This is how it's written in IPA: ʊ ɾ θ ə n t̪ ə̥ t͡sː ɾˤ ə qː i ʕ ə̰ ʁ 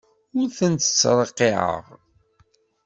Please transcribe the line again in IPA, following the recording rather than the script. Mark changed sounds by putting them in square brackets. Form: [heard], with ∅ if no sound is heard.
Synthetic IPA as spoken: ʊ ɾ θ ə n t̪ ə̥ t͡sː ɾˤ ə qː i ʕ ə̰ ʁ